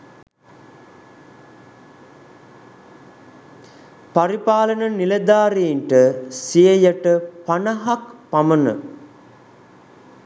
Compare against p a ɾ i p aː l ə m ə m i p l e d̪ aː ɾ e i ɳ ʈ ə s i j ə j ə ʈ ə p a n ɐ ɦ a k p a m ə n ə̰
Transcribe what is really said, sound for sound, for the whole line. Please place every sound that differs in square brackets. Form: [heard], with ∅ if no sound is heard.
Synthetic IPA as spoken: p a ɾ i p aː l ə [n] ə [n] i [∅] l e d̪ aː ɾ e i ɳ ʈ ə s i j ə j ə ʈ ə p a n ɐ ɦ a k p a m ə n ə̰